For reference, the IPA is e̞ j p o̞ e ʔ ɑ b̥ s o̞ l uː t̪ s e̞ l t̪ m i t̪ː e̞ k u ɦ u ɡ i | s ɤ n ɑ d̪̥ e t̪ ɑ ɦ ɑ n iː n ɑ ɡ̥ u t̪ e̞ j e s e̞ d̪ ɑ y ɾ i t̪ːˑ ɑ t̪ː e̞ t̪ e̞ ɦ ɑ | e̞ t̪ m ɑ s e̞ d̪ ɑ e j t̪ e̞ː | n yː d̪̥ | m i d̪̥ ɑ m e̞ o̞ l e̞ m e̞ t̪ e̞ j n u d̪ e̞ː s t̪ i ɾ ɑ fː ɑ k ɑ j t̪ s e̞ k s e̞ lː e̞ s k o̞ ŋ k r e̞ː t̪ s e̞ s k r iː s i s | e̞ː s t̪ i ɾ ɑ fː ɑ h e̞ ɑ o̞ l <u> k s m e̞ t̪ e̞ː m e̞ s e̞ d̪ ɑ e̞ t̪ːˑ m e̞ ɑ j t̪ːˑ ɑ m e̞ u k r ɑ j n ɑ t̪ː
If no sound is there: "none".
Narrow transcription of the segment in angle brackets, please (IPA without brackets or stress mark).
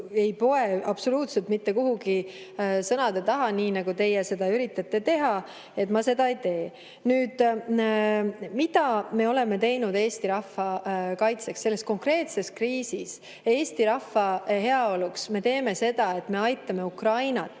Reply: u